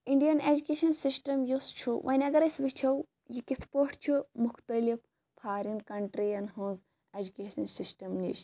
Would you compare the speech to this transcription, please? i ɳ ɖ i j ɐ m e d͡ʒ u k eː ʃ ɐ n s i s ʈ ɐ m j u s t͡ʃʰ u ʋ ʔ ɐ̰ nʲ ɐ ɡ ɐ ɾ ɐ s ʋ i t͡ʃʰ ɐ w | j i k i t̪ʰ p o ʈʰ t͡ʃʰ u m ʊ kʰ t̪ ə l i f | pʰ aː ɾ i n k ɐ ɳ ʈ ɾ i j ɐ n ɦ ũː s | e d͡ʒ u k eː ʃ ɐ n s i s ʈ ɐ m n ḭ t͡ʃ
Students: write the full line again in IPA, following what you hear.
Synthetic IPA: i ɳ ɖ i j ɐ n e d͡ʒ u k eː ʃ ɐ n s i s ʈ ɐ m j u s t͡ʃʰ u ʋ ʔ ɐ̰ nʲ ɐ ɡ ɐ ɾ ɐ s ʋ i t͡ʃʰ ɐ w | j i k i t̪ʰ p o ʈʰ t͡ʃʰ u m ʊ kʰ t̪ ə l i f | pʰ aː ɾ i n k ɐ ɳ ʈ ɾ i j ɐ n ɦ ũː z | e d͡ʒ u k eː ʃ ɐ n s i s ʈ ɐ m n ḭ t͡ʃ